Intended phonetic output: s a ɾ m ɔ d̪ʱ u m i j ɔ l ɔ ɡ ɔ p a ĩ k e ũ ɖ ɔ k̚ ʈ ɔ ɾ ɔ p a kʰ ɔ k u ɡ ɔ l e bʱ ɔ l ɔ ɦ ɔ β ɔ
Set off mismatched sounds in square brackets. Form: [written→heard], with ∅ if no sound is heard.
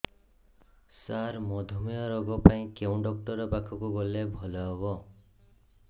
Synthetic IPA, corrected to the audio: s a ɾ m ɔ d̪ʱ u m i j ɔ [l→ɾ] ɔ ɡ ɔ p a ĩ k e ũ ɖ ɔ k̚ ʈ ɔ ɾ ɔ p a kʰ ɔ k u ɡ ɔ l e bʱ ɔ l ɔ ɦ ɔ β ɔ